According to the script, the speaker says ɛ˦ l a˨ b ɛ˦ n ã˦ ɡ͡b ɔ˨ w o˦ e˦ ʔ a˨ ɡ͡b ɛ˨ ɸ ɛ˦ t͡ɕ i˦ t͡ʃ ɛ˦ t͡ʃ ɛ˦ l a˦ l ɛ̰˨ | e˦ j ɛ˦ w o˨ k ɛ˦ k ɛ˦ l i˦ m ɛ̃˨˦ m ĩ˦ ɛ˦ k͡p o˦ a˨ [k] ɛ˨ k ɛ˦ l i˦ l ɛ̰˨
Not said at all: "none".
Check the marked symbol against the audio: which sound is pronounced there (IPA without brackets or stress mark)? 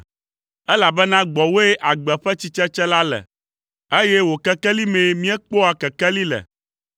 k